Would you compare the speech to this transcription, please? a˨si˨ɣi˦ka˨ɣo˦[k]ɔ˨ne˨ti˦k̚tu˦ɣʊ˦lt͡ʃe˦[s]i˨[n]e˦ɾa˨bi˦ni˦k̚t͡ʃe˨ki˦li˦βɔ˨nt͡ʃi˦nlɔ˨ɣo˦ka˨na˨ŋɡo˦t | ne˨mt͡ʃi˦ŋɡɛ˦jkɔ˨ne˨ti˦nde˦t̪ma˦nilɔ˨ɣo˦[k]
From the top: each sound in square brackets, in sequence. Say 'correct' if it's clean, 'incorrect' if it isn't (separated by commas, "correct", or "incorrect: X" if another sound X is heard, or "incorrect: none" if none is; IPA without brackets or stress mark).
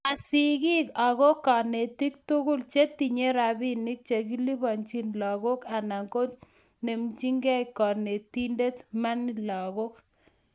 correct, incorrect: t, incorrect: ɲ, correct